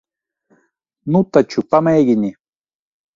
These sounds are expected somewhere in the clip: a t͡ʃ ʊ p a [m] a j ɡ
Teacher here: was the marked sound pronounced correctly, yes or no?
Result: yes